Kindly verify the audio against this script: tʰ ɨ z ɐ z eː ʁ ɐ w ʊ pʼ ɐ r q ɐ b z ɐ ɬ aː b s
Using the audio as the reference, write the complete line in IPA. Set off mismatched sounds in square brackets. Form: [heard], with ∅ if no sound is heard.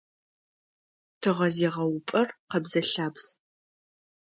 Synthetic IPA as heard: tʰ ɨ [ʁ] ɐ z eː ʁ ɐ w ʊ pʼ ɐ r q ɐ b z ɐ ɬ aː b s